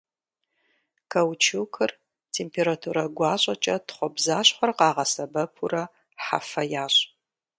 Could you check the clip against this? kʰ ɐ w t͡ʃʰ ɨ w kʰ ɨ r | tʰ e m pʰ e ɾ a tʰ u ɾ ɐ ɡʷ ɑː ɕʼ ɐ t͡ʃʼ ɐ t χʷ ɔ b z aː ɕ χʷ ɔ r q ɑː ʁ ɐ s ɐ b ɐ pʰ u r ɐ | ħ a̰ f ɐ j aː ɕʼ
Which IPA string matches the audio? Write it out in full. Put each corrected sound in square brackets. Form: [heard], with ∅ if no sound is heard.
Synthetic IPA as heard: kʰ ɐ w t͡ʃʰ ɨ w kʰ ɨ r | tʰ e m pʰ e ɾ a tʰ u ɾ ɐ ɡʷ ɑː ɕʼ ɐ t͡ʃʼ ɐ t χʷ ɔ b z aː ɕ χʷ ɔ r q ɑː ʁ ɐ s ɐ b ɐ pʰ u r ɐ | ħ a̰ f ɐ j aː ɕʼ